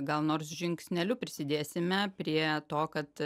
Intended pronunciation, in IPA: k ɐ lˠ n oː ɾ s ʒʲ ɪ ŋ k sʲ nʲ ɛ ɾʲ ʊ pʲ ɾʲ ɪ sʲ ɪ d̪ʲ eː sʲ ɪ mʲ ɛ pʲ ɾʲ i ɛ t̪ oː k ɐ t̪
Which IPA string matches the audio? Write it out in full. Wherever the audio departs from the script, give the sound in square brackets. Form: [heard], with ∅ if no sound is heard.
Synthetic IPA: [ɡ] ɐ lˠ n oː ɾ s ʒʲ ɪ ŋ k sʲ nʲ ɛ [lʲ] ʊ pʲ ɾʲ ɪ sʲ ɪ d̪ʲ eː sʲ ɪ mʲ ɛ pʲ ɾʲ i ɛ t̪ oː k ɐ t̪